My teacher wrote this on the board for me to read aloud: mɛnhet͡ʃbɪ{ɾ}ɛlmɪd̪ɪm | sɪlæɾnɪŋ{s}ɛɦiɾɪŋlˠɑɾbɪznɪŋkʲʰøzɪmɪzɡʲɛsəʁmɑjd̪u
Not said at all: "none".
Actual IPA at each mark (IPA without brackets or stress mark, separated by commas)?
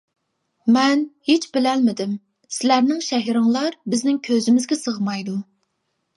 l, ʃ